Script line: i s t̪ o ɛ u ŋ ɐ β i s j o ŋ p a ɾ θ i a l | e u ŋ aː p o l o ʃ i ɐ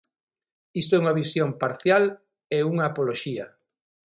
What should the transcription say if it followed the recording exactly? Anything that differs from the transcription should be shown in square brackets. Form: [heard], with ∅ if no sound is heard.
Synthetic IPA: i s t̪ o ɛ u ŋ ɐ β i s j o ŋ p a ɾ θ [j] a l | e u ŋ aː p o l o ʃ i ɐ